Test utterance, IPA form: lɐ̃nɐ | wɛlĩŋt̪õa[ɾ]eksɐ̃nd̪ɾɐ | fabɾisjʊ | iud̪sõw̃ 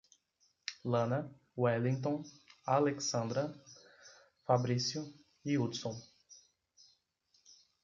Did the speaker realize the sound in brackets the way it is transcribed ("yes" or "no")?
no